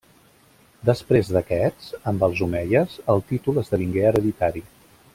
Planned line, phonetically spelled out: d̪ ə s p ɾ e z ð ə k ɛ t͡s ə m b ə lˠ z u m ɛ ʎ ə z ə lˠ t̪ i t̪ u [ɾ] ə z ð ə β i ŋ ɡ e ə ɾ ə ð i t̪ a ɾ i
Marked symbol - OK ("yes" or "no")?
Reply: no